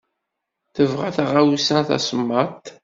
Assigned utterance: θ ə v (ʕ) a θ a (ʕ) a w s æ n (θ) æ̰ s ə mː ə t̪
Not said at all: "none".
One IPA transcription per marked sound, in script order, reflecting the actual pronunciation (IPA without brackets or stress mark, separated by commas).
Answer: ʁ, ʁ, θ